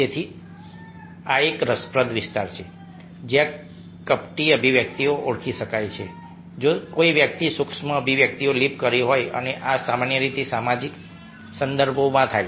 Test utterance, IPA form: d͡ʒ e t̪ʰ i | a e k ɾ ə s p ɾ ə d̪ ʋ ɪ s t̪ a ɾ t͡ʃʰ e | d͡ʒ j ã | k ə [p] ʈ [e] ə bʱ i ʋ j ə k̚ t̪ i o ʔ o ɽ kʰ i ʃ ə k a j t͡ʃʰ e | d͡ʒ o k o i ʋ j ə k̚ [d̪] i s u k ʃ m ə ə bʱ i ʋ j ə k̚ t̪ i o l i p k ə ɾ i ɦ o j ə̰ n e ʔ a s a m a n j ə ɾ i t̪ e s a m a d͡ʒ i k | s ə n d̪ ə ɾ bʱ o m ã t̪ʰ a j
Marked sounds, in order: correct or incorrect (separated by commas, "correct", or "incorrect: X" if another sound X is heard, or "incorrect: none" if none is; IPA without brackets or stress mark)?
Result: correct, incorrect: i, incorrect: t̪